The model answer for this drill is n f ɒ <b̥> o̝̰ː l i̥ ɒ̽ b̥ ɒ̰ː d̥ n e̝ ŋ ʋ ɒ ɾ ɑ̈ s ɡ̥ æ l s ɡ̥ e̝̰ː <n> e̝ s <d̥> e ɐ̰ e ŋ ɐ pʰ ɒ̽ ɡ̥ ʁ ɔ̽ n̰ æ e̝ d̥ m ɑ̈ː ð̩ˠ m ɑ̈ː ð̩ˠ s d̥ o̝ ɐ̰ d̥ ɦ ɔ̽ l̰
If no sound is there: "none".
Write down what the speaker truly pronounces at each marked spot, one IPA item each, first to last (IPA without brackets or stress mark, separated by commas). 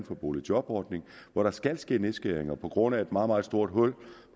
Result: b̥, n, ɡ̥